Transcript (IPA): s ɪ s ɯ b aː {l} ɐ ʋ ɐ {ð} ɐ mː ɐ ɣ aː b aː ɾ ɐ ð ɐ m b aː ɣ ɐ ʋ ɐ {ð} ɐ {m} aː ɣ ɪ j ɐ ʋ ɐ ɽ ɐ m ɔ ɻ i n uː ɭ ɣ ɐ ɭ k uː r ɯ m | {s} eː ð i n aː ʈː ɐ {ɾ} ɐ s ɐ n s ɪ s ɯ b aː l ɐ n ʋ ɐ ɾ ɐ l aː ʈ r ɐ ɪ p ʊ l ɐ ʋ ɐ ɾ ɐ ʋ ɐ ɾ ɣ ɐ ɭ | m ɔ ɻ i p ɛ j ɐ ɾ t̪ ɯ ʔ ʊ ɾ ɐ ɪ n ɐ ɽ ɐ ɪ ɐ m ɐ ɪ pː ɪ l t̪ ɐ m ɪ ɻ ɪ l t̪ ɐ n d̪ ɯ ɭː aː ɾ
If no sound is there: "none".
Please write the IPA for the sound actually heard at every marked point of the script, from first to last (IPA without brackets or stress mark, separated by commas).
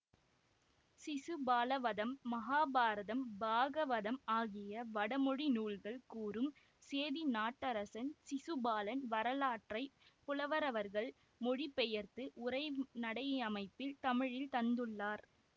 l, ð, ð, m, s, ɾ